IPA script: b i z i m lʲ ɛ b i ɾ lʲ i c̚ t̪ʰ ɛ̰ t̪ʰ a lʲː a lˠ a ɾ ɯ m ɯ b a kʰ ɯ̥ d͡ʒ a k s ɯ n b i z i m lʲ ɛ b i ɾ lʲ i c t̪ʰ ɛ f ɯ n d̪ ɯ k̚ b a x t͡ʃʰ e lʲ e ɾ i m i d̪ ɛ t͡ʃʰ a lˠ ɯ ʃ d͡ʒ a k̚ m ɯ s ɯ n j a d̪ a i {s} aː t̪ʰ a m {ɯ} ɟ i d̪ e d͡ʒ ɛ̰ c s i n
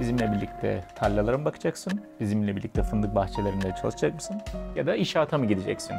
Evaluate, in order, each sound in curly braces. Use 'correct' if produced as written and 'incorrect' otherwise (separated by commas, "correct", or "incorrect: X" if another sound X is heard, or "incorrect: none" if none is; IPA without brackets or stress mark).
incorrect: ʃ, correct